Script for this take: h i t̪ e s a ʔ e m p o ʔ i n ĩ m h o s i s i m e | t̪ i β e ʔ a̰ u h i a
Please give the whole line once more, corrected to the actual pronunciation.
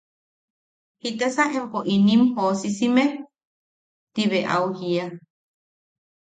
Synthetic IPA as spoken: h i t̪ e s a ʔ e m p o ʔ i n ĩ m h o s i s i m e | t̪ i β e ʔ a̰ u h i a